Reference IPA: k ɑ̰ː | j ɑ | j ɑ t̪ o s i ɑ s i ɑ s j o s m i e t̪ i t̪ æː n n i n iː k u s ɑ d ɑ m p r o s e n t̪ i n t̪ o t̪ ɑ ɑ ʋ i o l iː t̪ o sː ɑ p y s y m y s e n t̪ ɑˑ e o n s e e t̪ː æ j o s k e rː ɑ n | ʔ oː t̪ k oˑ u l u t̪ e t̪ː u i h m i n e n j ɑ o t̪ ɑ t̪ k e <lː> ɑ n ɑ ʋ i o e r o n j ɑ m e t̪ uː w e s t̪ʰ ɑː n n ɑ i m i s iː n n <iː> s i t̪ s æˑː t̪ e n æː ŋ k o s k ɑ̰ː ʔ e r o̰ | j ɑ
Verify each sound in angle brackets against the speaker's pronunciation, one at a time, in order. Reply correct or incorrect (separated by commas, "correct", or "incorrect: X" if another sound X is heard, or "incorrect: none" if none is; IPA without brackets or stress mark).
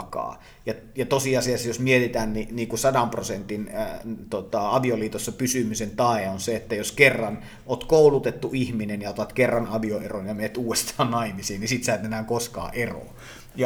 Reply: incorrect: rː, incorrect: i